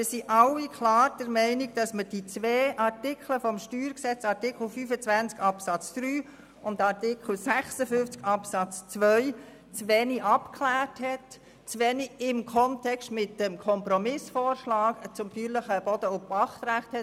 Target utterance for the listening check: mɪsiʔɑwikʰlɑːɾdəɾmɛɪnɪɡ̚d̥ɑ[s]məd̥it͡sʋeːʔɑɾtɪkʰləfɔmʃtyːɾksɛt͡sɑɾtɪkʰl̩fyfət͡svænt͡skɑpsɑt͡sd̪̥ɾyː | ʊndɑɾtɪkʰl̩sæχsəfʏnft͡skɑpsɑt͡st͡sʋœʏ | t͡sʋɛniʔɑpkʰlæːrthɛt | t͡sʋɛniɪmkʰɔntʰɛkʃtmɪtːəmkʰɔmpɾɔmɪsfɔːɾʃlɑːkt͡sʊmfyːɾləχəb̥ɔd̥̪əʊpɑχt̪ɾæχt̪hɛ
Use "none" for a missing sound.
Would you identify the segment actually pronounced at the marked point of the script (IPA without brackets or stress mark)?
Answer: s